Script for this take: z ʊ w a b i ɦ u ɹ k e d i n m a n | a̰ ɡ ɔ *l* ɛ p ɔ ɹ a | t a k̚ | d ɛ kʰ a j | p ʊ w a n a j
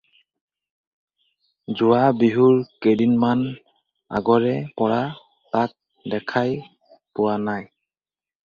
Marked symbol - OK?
no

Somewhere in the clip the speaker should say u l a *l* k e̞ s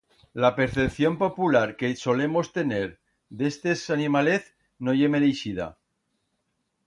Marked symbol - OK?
no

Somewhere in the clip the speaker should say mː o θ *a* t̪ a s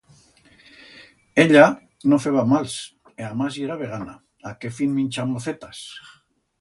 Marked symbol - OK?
no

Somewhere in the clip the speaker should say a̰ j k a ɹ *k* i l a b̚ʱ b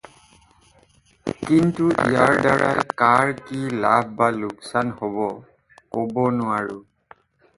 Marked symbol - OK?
yes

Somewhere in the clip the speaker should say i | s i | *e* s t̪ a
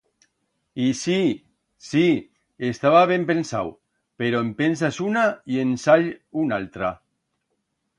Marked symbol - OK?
yes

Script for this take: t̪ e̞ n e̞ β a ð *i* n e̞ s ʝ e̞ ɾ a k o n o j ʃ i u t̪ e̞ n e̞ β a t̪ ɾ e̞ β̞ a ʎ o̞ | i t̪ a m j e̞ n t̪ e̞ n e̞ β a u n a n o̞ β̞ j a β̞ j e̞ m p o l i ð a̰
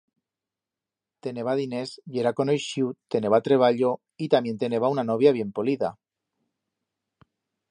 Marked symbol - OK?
yes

